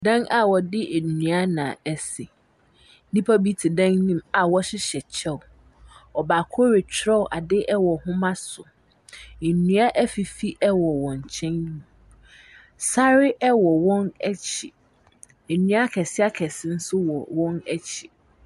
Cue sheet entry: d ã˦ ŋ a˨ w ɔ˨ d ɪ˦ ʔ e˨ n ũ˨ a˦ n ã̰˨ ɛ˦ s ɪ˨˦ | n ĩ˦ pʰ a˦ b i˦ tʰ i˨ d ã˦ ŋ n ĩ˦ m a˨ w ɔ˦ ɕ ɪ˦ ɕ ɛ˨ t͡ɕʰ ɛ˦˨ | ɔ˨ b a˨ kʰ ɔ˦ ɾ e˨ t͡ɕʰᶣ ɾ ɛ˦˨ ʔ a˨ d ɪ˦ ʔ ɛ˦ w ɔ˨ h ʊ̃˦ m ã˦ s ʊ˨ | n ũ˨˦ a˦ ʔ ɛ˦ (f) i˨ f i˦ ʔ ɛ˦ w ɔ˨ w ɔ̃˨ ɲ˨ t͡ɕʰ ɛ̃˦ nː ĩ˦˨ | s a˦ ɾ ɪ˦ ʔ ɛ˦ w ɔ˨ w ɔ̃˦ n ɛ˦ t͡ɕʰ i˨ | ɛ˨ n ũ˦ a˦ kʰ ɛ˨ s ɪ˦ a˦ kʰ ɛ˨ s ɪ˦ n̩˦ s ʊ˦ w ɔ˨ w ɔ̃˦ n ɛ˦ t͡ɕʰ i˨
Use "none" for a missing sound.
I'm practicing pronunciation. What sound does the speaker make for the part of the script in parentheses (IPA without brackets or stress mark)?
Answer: f